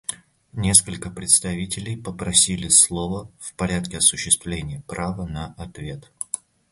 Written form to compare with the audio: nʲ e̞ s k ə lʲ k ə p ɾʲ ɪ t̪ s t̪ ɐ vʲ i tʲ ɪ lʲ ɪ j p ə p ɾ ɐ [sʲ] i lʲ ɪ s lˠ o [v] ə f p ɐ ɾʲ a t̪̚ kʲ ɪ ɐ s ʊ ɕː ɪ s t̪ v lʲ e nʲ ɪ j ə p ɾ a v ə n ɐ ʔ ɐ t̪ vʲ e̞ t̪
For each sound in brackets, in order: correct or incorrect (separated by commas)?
correct, correct